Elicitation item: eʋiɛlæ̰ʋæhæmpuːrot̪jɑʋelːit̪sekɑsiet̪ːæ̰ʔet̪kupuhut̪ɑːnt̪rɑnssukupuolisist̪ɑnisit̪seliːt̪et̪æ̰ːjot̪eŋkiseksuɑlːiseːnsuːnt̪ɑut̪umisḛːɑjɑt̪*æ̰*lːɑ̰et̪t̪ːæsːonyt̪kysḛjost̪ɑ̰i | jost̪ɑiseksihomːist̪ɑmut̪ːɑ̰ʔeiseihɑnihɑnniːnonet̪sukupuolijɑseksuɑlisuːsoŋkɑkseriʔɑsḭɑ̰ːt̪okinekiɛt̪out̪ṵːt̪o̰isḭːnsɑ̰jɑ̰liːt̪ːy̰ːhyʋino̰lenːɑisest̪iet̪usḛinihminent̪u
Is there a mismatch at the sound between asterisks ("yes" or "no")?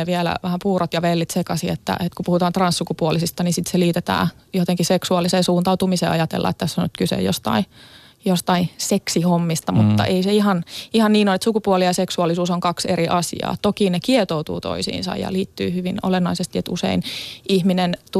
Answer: yes